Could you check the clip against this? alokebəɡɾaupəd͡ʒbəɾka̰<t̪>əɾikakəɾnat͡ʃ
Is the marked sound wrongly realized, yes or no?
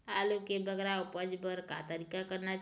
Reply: no